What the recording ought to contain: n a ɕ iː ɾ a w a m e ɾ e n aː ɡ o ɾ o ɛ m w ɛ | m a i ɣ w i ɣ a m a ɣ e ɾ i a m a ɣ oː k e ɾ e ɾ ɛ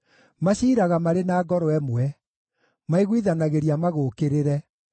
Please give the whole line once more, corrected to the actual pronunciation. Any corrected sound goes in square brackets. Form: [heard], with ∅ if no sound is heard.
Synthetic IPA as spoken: [m] a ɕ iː ɾ a [ɣ] a m [a] ɾ e n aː ɡ [ɔ] ɾ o ɛ m w ɛ | m a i ɣ w i [ð] a [n] a ɣ e ɾ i a m a ɣ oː k e ɾ e ɾ ɛ